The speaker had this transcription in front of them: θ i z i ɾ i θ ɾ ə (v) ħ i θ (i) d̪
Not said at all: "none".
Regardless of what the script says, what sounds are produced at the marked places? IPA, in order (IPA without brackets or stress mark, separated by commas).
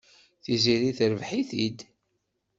v, i